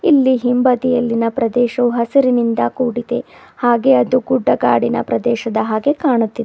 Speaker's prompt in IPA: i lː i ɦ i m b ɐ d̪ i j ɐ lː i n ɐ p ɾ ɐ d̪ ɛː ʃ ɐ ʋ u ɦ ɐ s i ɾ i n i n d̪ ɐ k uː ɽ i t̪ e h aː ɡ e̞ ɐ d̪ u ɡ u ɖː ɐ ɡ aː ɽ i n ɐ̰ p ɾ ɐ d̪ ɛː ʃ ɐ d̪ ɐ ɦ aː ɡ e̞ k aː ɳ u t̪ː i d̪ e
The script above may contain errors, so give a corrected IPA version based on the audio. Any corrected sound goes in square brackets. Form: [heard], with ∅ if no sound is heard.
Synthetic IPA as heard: i lː i ɦ i m b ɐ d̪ i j ɐ lː i n ɐ p ɾ ɐ d̪ ɛː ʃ ɐ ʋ u ɦ ɐ s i ɾ i n i n d̪ ɐ k uː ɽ i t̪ e h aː ɡ e̞ ɐ d̪ u ɡ u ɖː ɐ ɡ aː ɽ i n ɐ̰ p ɾ ɐ d̪ ɛː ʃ ɐ d̪ ɐ ɦ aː ɡ e̞ k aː ɳ u t̪ː i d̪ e